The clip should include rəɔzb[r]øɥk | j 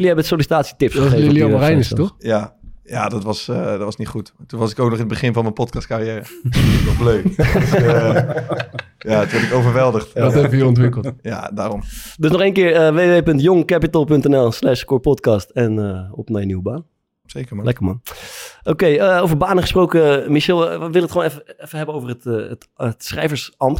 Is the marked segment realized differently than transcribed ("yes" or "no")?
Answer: yes